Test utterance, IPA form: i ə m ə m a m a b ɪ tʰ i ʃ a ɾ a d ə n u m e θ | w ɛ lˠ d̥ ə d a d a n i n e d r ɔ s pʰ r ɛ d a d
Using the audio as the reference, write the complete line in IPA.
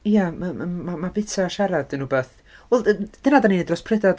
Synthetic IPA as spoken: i a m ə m a m a b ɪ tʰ a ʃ a ɾ a d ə n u b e θ | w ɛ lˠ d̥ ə n a d a n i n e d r ɔ s pʰ r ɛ d a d

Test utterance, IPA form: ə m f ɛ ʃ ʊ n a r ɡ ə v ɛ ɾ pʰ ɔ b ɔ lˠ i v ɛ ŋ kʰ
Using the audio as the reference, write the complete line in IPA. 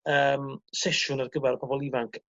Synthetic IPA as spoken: ə m s ɛ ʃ ʊ n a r ɡ ə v ɛ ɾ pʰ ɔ b ɔ lˠ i v a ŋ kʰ

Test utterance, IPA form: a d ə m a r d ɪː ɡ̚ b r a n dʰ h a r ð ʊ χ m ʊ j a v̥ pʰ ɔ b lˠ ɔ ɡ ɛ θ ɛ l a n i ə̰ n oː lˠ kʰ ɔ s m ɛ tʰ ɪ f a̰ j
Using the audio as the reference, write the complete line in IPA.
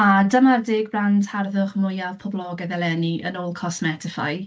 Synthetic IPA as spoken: a d ə m a r d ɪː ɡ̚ b r a n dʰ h a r ð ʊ χ m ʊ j a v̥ pʰ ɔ b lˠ ɔ ɡ ɛ ð ɛ l ɛ n i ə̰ n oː lˠ kʰ ɔ s m ɛ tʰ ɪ f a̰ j

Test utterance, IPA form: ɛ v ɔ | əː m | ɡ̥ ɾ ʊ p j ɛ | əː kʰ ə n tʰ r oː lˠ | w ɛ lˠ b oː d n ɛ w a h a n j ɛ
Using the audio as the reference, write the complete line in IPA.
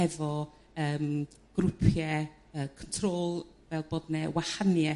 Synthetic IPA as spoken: ɛ v ɔ | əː m | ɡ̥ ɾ ʊ pʰ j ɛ | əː kʰ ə n tʰ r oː lˠ | v ɛ lˠ b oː d n ɛ w a h a n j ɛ

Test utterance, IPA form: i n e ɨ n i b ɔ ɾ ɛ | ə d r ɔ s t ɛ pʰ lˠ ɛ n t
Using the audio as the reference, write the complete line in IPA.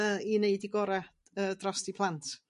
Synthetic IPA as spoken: i n e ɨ d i ɡ ɔ ɾ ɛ | ə d r ɔ s t i pʰ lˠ a n t

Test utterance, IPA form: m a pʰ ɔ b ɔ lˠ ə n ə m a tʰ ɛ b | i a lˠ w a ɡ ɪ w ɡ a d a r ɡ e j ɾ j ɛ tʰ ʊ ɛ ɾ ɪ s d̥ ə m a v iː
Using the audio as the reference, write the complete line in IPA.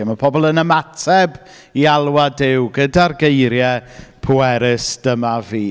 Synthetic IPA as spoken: m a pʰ ɔ b ɔ lˠ ə n ə m a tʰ ɛ b | i a lˠ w a d ɪ w ɡ ə d a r ɡ e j ɾ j ɛ pʰ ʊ ɛ ɾ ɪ s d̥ ə m a v iː

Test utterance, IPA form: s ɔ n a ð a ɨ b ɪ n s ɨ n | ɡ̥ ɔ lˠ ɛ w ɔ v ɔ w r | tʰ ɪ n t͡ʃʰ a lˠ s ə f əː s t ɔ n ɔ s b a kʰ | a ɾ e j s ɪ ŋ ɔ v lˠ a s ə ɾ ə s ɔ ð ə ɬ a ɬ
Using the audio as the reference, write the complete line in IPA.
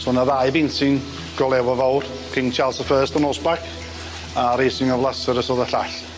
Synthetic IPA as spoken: s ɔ n a ð a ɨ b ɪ n s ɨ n | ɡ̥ ɔ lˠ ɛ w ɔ v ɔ w r | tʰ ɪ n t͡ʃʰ a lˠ s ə f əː s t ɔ n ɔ s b a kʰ | a ɾ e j s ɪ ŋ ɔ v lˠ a s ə ɾ ə s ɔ ð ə ɬ a ɬ

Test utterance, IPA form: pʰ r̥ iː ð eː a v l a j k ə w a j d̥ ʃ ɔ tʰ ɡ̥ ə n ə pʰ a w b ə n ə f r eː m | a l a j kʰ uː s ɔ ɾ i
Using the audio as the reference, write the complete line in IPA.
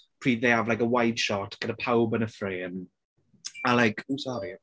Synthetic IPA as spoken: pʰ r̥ iː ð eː a v l a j k ə w a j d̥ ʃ ɔ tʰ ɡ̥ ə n ə pʰ a w b ə n ə f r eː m | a l a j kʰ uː s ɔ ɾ i

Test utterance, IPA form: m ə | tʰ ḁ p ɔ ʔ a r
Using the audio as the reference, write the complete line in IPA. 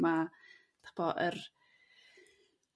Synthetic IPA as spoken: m a | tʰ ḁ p ɔ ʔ ə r

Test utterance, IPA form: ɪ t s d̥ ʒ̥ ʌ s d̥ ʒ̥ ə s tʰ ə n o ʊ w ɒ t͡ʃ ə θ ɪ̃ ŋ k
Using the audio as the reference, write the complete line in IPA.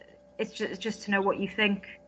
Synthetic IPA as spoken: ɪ t s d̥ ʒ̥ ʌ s d̥ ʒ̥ ʌ s tʰ ə n o ʊ w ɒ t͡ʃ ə θ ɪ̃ ŋ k

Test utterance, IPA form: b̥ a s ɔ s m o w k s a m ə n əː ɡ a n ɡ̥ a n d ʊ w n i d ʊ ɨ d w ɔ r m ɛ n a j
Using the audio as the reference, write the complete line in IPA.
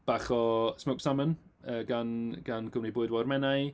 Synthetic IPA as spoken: b̥ a χ ɔ s m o w k s a m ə n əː ɡ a n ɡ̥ a n ɡ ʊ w n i b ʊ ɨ d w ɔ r m ɛ n a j

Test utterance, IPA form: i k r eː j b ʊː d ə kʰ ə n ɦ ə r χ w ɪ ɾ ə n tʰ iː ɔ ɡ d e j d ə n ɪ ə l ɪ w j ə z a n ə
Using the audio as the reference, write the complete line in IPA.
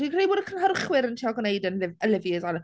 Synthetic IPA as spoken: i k r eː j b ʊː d ə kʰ ə n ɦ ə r χ w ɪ ɾ ə n tʰ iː ɔ ɡ n e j d ə n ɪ ə l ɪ v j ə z a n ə

